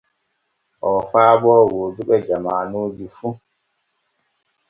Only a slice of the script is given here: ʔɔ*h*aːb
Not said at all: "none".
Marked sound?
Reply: f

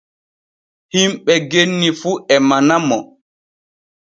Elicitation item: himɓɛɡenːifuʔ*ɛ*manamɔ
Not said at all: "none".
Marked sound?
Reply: ɛ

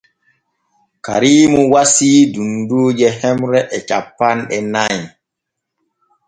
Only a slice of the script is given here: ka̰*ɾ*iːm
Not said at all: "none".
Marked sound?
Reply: ɾ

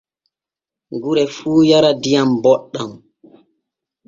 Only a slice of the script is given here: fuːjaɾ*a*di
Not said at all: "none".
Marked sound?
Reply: a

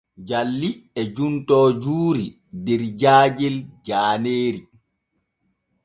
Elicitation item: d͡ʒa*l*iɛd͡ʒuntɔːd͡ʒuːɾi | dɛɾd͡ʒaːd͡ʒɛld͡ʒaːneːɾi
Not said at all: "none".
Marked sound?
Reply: lː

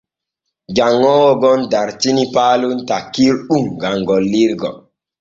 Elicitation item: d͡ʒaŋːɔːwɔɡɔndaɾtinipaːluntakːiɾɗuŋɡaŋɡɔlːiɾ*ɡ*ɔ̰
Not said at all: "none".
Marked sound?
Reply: ɡ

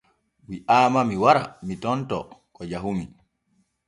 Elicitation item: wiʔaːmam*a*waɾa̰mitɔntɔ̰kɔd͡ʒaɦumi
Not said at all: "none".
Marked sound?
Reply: i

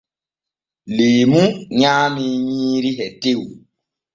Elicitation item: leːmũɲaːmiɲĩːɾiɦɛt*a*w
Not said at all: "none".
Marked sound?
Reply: e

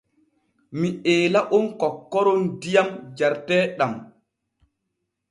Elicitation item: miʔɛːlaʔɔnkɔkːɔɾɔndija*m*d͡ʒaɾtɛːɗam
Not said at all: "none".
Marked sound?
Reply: m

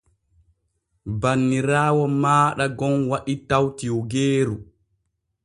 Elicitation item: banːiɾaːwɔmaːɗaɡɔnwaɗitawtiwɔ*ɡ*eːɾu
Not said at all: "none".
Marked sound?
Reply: ɡ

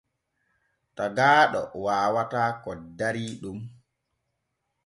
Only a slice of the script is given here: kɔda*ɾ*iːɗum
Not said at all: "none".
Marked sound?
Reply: ɾ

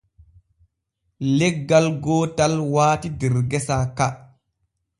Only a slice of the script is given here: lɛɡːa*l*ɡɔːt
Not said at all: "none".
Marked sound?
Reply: l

